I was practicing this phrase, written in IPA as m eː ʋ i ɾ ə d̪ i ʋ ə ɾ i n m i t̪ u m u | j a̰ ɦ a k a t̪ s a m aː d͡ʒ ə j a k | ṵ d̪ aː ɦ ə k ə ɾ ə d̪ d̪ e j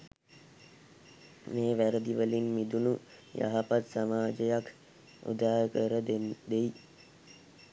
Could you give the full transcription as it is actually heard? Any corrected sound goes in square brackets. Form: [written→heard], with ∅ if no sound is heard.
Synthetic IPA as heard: m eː ʋ [i→æ] ɾ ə d̪ i ʋ ə [ɾ→l] i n m i [t̪→d̪] u [m→n] u | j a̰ ɦ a [k→p] a t̪ s a m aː d͡ʒ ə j a k | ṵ d̪ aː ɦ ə k ə ɾ ə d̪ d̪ e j